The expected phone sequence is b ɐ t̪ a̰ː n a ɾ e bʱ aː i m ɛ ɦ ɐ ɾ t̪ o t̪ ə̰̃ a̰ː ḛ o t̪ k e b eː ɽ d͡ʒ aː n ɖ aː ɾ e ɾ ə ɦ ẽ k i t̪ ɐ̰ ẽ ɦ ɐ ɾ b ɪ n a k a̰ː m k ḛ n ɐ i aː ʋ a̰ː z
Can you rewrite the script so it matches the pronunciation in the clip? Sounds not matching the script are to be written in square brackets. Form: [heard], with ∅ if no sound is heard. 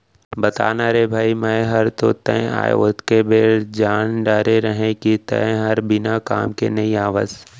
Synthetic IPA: b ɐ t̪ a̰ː n a ɾ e bʱ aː i m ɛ ɦ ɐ ɾ t̪ o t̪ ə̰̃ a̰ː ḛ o t̪ k e b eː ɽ d͡ʒ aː n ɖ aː ɾ e ɾ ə ɦ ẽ k i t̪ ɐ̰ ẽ ɦ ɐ ɾ b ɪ n a k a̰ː m k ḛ n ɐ i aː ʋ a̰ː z